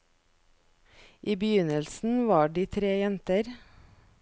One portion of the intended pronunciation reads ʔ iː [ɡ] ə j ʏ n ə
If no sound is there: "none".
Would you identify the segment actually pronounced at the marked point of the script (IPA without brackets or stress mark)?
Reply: b